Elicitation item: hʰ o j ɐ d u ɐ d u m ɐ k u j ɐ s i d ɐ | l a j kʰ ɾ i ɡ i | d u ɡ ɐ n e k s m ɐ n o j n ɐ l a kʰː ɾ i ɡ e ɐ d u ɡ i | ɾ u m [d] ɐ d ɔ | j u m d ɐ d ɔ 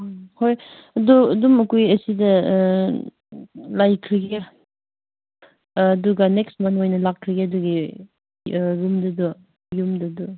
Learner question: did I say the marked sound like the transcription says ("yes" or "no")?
yes